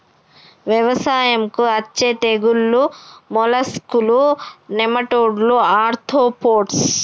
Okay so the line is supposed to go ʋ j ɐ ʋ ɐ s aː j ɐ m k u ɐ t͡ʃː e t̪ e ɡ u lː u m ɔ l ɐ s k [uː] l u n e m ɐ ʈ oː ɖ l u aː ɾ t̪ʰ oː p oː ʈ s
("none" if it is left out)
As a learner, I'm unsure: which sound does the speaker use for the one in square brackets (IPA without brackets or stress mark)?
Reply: u